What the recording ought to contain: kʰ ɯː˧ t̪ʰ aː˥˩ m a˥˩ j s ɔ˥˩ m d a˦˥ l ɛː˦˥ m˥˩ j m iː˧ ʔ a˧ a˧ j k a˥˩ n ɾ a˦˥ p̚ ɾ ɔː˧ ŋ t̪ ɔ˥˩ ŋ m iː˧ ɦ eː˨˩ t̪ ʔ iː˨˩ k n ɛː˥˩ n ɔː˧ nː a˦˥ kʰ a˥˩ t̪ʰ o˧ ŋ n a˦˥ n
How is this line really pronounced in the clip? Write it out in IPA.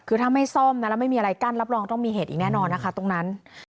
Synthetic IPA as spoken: kʰ ɯː˧ t̪ʰ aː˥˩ m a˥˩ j s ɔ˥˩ m n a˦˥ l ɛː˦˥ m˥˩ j m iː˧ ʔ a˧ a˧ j k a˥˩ n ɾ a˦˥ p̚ ɾ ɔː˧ ŋ t̪ ɔ˥˩ ŋ m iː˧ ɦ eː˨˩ t̪ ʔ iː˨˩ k n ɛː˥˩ n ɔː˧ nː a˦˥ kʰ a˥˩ t̪ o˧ ŋ n a˦˥ n